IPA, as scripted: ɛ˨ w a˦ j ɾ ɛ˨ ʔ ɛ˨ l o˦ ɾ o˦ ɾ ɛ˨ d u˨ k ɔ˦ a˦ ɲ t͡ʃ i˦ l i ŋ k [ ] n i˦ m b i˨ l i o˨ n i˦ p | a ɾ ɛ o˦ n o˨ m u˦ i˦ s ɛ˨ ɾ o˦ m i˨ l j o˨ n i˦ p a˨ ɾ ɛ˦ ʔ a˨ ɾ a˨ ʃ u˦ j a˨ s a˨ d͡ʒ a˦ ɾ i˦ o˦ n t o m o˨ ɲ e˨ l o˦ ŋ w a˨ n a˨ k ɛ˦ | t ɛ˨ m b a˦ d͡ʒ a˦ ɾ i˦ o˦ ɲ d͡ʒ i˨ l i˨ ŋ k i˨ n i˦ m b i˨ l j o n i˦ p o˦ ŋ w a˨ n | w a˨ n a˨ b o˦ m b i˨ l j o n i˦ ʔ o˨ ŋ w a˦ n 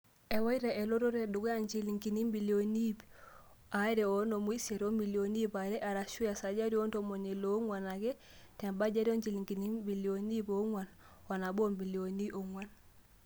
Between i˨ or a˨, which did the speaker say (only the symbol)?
i˨